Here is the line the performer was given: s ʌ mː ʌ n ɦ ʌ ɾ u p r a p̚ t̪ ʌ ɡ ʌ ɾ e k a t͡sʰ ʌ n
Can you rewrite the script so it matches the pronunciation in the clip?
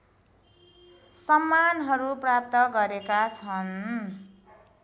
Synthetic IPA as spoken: s ʌ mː a n ɦ ʌ ɾ u p r a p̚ t̪ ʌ ɡ ʌ ɾ e k a t͡sʰ ʌ n

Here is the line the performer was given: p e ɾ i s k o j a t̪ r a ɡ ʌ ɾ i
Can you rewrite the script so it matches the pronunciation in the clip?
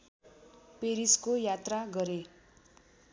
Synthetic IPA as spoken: p e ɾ i s k o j a t̪ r a ɡ ʌ ɾ e

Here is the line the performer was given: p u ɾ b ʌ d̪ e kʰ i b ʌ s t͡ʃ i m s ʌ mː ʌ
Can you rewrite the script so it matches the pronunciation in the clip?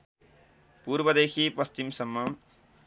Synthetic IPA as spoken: p u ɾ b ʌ d̪ e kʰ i p ʌ s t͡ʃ i m s ʌ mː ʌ

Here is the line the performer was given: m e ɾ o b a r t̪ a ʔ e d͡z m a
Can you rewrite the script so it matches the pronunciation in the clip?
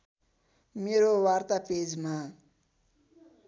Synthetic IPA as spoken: m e ɾ o w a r t̪ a p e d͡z m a

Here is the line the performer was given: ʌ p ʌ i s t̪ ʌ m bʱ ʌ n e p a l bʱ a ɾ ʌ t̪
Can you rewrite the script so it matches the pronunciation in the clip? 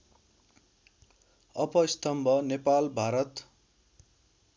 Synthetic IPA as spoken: ʌ p ʌ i s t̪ ʌ m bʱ ʌ n e p a l bʱ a ɾ ʌ t̪

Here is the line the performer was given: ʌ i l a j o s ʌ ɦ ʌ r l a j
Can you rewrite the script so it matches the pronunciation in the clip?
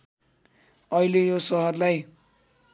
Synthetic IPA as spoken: ʌ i l e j o s ʌ ɦ ʌ r l a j

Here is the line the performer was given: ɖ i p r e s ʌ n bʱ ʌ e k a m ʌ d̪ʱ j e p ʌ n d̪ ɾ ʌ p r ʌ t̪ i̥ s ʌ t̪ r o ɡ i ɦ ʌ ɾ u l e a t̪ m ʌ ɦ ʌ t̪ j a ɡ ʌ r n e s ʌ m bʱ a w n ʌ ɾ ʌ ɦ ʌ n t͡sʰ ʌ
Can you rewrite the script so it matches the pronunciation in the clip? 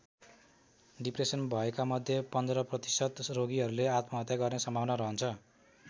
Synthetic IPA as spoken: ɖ i p r e s ʌ n bʱ ʌ e k a m ʌ d̪ʱ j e p ʌ n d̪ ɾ ʌ p r ʌ t̪ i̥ s ʌ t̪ r o ɡ i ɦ ʌ ɾ u l e a t̪ m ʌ ɦ ʌ t̪ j a ɡ ʌ r n e s ʌ m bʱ a w n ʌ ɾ ʌ ɦ ʌ n t͡sʰ ʌ

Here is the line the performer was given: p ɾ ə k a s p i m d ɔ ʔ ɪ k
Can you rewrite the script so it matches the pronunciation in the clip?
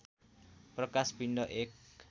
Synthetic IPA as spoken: p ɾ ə k a s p i n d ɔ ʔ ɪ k

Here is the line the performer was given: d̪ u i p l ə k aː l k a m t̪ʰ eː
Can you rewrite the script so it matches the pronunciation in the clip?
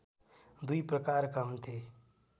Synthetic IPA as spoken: d̪ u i p ɾ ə k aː ɾ k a m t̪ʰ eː

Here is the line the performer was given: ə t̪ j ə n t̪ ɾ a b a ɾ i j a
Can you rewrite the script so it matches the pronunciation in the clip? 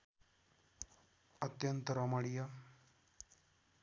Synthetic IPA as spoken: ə t̪ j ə n t̪ ɾ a m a ɽ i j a

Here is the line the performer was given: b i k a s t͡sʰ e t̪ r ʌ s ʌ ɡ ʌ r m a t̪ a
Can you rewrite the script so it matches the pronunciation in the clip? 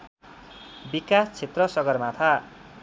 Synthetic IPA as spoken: b i k a s t͡sʰ e t̪ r ʌ s ʌ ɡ ʌ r m a t̪ʰ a

